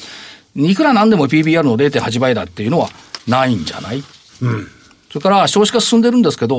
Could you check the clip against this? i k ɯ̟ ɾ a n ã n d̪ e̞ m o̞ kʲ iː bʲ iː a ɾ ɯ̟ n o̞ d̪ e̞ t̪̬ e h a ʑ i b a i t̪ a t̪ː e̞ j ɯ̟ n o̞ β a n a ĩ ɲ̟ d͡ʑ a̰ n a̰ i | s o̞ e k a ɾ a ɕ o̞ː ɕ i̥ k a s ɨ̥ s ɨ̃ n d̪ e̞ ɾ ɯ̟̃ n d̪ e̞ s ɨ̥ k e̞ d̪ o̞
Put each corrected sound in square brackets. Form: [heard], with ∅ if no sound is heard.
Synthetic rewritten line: i k ɯ̟ ɾ a n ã n d̪ e̞ m o̞ [pʲ] iː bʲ iː a ɾ ɯ̟ n o̞ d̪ e̞ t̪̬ e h a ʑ i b a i [d̪] a t̪ː e̞ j ɯ̟ n o̞ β a n a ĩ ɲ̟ d͡ʑ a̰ n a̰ i | s o̞ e k a ɾ a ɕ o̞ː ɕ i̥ k a s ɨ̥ s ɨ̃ n d̪ e̞ ɾ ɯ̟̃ n d̪ e̞ s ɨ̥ k e̞ d̪ o̞